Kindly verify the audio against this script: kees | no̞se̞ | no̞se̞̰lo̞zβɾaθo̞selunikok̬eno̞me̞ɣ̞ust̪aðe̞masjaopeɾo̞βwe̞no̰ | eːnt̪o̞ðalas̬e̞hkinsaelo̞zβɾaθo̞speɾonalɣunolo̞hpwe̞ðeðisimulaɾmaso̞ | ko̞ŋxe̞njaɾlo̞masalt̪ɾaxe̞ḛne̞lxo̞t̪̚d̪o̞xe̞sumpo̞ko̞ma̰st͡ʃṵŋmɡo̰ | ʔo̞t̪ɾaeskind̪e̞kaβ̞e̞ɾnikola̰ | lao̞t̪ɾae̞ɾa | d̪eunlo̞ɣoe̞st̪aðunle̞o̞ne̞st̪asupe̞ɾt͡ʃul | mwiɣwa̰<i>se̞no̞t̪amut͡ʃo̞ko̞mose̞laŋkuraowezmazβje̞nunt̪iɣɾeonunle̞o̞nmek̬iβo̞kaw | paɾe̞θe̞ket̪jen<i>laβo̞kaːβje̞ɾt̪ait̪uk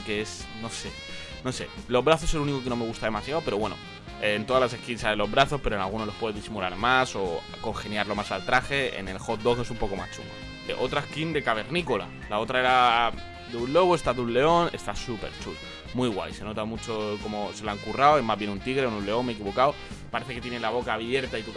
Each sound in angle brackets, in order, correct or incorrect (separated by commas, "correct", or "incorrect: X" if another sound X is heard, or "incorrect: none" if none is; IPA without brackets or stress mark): incorrect: j, incorrect: e